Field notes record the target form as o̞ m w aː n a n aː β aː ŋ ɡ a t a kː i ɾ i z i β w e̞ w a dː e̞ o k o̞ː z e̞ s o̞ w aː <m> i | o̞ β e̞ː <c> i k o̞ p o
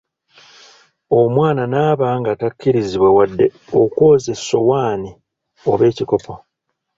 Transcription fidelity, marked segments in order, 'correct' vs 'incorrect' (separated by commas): incorrect, correct